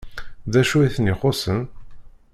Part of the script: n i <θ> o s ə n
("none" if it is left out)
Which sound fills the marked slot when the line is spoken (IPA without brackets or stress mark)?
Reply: χ